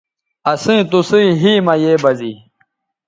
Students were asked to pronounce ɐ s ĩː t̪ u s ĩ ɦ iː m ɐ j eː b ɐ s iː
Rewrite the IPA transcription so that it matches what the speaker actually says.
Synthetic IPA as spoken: ɐ s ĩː t̪ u s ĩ ɦ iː m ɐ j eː b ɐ z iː